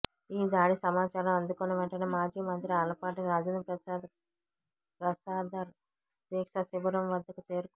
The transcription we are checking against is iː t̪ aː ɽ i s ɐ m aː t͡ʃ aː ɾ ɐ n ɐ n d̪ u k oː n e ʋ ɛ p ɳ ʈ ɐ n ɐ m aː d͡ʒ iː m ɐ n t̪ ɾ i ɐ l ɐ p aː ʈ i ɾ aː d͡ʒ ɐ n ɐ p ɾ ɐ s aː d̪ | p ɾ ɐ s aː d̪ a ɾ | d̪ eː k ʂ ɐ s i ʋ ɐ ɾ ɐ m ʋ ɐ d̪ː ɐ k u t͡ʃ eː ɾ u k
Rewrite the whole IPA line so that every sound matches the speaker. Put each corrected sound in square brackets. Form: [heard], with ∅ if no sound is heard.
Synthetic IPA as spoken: iː [d̪] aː ɽ i s ɐ m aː t͡ʃ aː ɾ ɐ [m] ɐ n d̪ u k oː n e ʋ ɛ [∅] ɳ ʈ ɐ n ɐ m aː d͡ʒ iː m ɐ n t̪ ɾ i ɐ l ɐ p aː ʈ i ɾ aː d͡ʒ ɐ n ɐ p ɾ ɐ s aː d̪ | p ɾ ɐ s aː d̪ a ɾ | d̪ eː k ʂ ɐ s i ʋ ɐ ɾ ɐ m ʋ ɐ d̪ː ɐ k u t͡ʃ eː ɾ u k